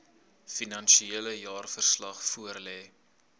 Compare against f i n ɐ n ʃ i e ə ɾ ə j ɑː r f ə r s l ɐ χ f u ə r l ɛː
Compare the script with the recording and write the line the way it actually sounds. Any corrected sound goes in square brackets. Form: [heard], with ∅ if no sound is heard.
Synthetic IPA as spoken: f i n ɐ n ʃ i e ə [l] ə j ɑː r f ə r s l ɐ χ f u ə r l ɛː